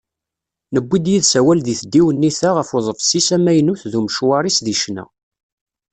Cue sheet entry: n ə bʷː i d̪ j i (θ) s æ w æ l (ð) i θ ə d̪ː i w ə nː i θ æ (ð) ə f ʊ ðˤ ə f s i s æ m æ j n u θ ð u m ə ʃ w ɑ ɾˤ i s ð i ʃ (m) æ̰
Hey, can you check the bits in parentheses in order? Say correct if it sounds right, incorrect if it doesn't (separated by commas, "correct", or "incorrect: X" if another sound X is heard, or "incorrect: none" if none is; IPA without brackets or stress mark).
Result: incorrect: ð, correct, incorrect: ʁ, incorrect: n